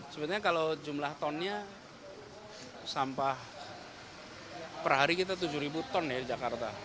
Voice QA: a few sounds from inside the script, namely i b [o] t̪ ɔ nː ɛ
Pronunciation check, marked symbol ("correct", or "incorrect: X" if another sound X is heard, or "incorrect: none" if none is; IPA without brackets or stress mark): incorrect: u